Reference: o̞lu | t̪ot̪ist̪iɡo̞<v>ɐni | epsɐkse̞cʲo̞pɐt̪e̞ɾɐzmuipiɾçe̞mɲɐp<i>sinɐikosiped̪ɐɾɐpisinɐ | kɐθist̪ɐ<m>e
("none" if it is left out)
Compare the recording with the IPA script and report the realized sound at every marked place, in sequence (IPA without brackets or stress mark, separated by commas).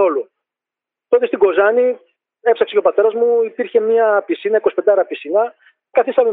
z, i, m